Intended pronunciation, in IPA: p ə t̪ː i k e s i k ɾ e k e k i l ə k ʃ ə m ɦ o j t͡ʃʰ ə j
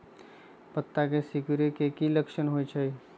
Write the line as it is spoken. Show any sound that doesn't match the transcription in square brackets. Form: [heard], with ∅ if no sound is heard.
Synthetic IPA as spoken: p ə t̪ː [a] k e s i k ɾ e k e k i l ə k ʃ ə [n] ɦ o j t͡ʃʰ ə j